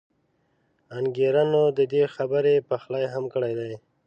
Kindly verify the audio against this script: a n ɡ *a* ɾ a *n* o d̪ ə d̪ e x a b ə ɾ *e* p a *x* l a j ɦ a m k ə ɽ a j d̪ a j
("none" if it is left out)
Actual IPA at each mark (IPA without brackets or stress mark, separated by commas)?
e, n, e, x